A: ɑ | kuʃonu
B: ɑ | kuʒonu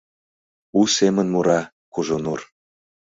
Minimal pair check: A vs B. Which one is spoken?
B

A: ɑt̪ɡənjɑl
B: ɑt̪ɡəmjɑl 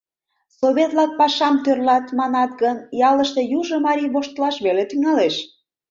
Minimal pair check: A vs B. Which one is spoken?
A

